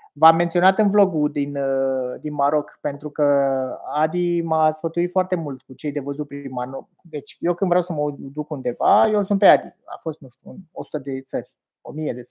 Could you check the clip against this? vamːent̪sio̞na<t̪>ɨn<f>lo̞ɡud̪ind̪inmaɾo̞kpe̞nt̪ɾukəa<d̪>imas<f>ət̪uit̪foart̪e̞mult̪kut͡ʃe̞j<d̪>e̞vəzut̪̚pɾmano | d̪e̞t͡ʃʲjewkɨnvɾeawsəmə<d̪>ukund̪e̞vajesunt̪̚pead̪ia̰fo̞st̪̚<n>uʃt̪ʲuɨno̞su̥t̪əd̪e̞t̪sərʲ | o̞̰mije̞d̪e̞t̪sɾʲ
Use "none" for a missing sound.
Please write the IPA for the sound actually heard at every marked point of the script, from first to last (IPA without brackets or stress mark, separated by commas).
t̪, v, d̪, f, d̪, d̪, n